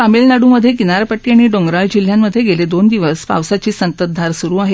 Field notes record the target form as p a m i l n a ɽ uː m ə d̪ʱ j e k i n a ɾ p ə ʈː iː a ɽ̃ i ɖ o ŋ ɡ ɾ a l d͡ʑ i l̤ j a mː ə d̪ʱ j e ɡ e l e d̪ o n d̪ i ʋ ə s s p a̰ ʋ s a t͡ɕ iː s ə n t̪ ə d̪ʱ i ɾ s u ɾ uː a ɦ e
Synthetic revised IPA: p a m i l n a ɽ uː m ə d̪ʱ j e k i n a ɾ p ə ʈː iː a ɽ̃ i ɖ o ŋ ɡ ɾ a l d͡ʑ i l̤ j a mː ə d̪ʱ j e ɡ e l e d̪ o n d̪ i ʋ ə s s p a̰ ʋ s a t͡ɕ iː s ə n t̪ ə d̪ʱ a ɾ s u ɾ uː a ɦ e